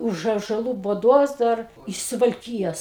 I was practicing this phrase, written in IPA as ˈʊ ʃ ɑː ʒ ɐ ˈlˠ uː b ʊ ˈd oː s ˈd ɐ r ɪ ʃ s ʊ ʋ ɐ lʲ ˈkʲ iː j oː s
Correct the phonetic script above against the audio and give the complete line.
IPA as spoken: ˈʊ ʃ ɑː ʒ ɐ ˈlˠ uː b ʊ ˈd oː s ˈd ɐ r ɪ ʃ s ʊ ʋ ɐ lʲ ˈkʲ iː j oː s